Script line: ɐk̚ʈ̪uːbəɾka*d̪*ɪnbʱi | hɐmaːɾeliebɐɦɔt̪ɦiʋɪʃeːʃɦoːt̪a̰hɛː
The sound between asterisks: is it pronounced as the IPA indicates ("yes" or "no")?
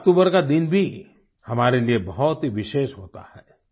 yes